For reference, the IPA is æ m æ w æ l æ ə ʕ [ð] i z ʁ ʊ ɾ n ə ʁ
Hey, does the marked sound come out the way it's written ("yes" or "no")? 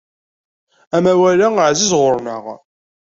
no